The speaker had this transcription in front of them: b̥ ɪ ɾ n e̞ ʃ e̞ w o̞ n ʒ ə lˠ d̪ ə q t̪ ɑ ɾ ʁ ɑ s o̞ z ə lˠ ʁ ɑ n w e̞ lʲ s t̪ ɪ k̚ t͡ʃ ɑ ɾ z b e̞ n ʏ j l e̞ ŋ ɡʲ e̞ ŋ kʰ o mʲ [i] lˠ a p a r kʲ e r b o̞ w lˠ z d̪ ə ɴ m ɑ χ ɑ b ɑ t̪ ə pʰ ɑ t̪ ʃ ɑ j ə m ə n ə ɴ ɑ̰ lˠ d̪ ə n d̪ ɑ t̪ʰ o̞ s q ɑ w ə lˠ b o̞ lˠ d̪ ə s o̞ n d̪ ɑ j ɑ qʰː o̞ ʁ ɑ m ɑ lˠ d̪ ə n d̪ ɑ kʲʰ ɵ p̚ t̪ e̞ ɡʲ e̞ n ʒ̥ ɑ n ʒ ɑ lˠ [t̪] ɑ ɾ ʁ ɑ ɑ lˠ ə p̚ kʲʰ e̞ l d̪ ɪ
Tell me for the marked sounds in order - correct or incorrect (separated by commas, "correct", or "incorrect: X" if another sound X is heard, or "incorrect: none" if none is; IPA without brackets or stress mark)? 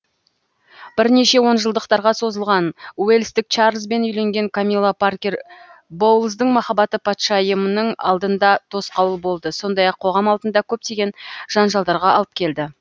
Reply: correct, incorrect: d̪